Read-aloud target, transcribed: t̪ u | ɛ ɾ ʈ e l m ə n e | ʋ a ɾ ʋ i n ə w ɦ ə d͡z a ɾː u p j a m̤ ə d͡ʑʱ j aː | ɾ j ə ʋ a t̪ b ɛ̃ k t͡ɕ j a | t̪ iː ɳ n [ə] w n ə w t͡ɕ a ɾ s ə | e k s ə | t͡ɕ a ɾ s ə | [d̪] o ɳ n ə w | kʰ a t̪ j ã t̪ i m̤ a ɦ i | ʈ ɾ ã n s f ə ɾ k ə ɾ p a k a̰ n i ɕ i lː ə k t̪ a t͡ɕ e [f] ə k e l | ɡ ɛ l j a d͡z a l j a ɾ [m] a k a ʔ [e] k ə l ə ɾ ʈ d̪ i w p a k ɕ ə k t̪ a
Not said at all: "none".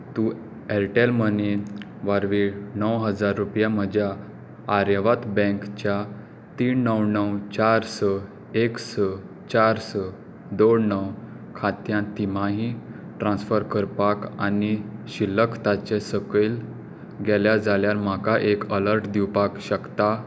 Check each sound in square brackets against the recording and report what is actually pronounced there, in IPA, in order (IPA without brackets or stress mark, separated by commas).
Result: ə, d̪, s, m, e